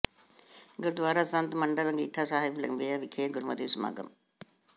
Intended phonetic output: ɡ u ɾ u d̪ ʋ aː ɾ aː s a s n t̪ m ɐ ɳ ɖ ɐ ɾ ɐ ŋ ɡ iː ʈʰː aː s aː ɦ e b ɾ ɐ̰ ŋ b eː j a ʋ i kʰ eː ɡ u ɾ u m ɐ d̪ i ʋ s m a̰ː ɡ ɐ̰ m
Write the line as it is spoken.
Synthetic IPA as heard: ɡ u ɾ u d̪ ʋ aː ɾ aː s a n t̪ m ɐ ɳ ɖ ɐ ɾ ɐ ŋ ɡ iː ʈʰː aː s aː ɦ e b l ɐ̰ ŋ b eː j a ʋ i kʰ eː ɡ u ɾ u m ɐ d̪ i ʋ s m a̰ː ɡ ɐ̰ m